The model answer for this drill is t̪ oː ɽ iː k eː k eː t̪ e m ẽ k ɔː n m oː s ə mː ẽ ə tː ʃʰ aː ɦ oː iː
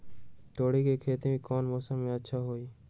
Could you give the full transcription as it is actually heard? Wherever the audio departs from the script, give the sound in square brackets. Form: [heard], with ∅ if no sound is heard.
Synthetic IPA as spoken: t̪ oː ɽ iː k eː [kʰ] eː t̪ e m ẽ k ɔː n m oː s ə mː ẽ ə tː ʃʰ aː ɦ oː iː